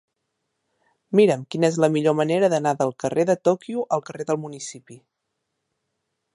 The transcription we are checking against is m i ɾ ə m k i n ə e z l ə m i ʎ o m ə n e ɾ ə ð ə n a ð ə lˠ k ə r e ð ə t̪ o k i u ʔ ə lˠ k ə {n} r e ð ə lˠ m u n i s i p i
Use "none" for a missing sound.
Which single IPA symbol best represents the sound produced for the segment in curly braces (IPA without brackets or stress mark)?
none